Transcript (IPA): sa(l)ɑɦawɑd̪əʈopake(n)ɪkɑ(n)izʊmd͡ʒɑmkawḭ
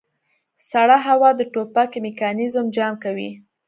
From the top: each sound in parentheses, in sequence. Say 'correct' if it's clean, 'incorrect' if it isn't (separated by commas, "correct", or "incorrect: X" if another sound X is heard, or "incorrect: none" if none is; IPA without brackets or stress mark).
incorrect: ɽ, incorrect: m, correct